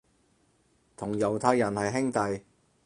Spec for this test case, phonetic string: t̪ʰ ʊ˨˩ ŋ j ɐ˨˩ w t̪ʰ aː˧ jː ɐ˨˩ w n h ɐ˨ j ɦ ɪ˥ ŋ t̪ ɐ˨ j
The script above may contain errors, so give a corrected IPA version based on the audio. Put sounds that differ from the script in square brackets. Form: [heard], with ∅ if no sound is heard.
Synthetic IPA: t̪ʰ ʊ˨˩ ŋ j ɐ˨˩ w t̪ʰ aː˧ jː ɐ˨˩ [∅] n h ɐ˨ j ɦ ɪ˥ ŋ t̪ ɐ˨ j